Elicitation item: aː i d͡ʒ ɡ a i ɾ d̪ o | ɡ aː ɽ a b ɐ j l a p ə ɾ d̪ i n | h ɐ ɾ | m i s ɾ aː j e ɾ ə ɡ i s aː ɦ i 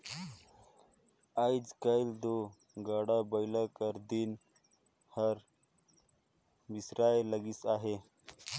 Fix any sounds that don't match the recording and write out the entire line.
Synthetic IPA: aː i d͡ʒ k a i l d̪ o | ɡ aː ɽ a b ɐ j l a k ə ɾ d̪ i n | h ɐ ɾ | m i s ɾ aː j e l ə ɡ i s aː ɦ e